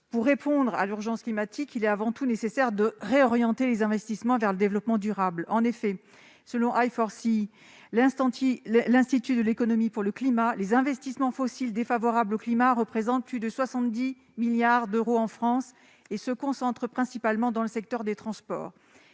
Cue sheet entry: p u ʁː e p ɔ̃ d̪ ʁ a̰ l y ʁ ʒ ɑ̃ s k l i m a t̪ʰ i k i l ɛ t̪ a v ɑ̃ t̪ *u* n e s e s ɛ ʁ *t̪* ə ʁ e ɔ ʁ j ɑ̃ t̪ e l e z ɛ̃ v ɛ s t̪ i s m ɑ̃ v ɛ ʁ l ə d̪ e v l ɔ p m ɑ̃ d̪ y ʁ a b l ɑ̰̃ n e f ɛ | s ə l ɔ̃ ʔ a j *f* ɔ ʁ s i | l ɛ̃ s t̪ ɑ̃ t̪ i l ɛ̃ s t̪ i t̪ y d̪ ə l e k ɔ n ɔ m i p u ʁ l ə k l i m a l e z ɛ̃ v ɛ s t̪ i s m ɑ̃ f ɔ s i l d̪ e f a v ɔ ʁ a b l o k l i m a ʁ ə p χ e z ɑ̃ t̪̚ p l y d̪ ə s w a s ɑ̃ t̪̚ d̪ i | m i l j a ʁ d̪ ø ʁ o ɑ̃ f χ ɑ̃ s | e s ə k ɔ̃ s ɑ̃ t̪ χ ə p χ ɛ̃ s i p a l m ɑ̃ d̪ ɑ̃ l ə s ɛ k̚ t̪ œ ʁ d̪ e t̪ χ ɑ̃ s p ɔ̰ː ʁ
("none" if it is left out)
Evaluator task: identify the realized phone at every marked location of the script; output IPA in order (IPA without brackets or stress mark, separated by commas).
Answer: u, d̪, f